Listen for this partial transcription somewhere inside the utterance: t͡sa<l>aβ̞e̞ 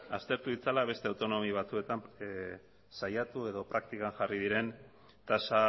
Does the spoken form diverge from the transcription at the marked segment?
no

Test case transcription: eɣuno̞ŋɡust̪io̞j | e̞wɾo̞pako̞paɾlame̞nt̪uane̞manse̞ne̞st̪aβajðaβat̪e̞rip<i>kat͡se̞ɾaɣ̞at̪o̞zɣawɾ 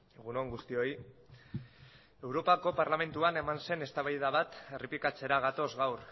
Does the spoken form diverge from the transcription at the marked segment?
no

